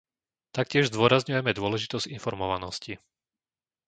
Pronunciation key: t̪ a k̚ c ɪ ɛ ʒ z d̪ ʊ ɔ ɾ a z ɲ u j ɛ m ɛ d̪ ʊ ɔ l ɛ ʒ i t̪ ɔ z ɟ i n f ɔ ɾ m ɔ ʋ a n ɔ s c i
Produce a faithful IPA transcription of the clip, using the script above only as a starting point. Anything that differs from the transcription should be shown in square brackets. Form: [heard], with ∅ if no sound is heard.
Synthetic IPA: t̪ a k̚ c ɪ ɛ ʒ z d̪ ʊ ɔ ɾ a z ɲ u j ɛ m ɛ d̪ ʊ ɔ l ɛ ʒ i t̪ ɔ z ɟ i n f ɔ ɾ m ɔ ʋ a n ɔ s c i